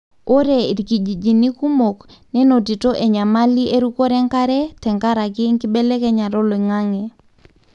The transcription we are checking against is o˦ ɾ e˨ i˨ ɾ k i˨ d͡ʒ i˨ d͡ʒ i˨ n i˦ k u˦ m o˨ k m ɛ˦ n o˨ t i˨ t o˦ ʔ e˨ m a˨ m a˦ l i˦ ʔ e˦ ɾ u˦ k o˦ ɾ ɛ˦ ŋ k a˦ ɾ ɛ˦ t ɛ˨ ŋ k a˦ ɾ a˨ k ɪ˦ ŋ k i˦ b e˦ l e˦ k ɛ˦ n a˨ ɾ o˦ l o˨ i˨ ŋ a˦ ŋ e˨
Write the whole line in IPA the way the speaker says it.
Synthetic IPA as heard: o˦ ɾ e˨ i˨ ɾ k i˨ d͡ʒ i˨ d͡ʒ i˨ n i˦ k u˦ m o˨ k n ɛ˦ n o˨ t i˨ t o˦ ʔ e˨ ɲ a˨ m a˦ l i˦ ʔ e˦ ɾ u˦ k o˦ ɾ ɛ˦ ŋ k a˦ ɾ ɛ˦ t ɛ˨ ŋ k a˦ ɾ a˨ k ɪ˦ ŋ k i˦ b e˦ l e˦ k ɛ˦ ɲ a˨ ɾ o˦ l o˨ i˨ ŋ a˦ ŋ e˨